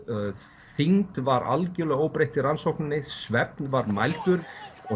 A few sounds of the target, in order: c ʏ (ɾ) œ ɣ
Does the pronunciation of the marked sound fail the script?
yes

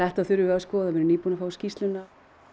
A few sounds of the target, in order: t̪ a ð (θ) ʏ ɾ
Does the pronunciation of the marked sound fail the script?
no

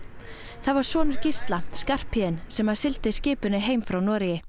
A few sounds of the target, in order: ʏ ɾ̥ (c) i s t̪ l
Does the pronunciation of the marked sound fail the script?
no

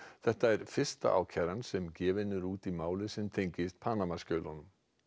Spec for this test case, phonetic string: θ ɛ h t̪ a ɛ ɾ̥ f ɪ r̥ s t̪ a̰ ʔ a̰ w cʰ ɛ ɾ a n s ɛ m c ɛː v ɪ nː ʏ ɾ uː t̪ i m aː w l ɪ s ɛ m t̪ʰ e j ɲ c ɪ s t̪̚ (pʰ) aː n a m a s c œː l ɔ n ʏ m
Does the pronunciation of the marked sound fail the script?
no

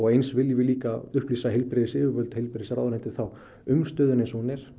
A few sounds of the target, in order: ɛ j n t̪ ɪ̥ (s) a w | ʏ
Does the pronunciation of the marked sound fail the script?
yes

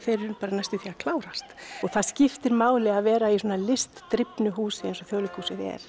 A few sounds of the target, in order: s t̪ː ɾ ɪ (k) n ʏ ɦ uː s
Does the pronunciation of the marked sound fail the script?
yes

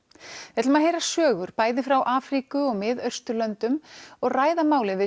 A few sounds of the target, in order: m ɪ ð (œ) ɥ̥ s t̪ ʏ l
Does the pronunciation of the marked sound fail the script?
no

